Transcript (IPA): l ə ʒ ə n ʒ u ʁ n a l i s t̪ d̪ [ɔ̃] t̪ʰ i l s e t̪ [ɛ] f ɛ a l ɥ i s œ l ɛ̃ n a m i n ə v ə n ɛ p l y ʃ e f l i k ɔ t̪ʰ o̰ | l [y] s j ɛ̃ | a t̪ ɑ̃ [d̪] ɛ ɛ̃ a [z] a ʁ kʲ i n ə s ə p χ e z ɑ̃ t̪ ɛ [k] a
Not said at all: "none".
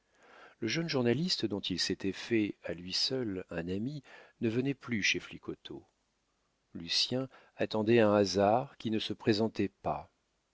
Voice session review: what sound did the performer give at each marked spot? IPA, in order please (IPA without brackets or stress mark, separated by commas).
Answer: ɔ̃, ɛ, y, d̪, z, p